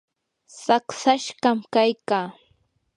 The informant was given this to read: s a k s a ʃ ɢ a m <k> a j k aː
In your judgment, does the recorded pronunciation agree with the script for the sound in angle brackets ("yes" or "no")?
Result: yes